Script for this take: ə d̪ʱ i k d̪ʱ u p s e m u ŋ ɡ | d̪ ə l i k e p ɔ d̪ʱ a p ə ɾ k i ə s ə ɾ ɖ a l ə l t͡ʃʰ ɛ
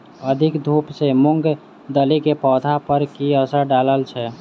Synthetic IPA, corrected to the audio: ə d̪ʱ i k d̪ʱ u p s e m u ŋ ɡ | d̪ ə l i k e p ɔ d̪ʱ a p ə ɾ k i ə s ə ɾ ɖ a l ə l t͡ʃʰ ɛ